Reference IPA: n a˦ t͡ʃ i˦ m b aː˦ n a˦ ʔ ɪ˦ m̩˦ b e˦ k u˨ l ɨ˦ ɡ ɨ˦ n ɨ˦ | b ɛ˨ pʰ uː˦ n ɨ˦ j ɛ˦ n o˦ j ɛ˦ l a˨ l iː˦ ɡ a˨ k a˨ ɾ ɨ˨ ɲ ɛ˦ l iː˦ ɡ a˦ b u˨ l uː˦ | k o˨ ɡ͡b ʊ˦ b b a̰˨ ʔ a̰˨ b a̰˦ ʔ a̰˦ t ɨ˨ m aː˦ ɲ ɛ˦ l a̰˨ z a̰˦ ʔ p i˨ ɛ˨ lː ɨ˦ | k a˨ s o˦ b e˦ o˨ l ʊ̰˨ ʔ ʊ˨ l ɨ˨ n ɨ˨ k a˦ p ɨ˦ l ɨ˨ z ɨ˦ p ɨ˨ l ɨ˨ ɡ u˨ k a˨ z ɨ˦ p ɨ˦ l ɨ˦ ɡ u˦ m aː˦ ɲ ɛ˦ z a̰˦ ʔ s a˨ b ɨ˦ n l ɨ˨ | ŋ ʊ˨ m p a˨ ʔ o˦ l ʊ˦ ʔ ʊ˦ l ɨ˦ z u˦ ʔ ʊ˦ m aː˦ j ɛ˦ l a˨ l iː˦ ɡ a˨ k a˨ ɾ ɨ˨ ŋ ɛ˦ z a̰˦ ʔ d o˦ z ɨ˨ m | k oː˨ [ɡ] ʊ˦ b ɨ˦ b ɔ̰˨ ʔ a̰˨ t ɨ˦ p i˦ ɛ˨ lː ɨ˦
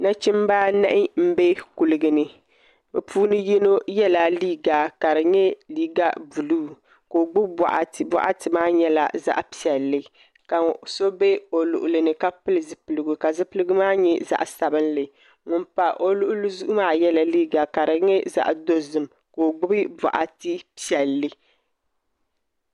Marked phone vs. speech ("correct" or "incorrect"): incorrect